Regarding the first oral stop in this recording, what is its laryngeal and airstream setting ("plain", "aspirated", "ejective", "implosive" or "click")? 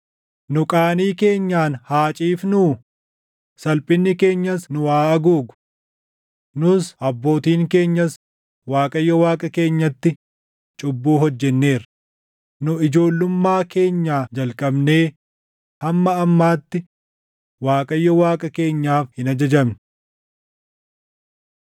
ejective